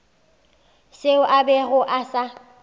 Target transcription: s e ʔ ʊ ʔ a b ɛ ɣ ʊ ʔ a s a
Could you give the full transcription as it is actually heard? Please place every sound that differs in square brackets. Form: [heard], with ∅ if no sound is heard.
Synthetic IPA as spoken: s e [∅] ʊ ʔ a b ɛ ɣ ʊ ʔ a s a

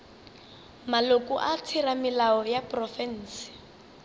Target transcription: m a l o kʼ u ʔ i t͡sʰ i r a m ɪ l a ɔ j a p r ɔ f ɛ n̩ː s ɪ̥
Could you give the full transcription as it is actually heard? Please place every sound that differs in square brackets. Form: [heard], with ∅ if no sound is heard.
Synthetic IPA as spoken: m a l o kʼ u ʔ [a] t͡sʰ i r a m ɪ l a ɔ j a p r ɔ f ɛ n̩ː s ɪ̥

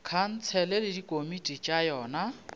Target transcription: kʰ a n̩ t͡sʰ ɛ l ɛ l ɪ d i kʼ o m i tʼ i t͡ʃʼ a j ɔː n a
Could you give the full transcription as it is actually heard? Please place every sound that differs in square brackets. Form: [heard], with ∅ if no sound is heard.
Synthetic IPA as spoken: kʰ a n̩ t͡sʰ ɛ l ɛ l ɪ d i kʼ o m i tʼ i t͡ʃʼ a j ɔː n a

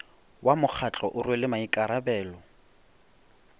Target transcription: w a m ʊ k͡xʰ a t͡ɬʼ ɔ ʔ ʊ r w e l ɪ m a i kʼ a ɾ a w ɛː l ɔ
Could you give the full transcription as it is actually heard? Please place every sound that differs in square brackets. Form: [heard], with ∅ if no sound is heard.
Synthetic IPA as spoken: w a m ʊ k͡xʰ a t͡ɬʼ ɔ ʔ ʊ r w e l ɪ m a i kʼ a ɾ a [b] ɛː l ɔ

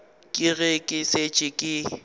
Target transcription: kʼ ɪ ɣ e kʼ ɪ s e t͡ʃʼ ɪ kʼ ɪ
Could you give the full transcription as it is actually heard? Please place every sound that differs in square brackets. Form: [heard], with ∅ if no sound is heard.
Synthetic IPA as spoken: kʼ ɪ ɣ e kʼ ɪ s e t͡ʃʼ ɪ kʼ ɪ

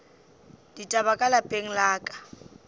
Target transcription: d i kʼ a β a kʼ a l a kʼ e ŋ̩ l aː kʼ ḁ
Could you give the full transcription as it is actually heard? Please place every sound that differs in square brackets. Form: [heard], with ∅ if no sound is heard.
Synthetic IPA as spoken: d i [tʼ] a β a kʼ a l a [pʼ] e ŋ̩ l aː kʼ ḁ

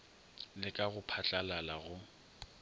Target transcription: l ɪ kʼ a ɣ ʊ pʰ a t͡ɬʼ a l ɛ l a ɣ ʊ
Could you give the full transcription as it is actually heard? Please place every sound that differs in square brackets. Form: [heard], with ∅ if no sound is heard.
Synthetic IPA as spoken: l ɪ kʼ a ɣ ʊ pʰ a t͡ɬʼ a l [a] l a ɣ ʊ

